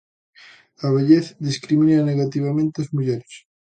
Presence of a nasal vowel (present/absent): present